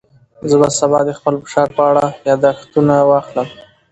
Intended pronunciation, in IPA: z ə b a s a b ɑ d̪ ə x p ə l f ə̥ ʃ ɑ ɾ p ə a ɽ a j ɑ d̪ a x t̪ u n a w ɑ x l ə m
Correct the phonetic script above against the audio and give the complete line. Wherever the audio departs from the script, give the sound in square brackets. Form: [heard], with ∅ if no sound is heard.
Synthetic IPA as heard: z ə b a s a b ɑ d̪ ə x p ə l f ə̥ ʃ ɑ ɾ p ə a ɽ a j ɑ d̪ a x t̪ u n a w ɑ x l ə m